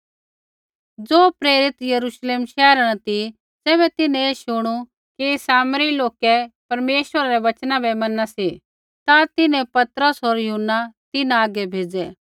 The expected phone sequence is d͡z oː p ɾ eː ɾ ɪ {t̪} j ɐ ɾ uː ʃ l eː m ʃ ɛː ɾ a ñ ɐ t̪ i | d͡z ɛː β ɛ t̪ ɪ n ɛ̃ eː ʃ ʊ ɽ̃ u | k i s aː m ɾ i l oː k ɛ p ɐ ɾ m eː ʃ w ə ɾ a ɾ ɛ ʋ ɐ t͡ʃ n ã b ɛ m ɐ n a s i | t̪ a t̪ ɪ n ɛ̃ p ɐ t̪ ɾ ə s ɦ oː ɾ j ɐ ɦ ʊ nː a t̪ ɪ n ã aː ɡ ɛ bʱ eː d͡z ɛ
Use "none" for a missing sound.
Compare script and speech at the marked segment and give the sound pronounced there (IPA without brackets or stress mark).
t̪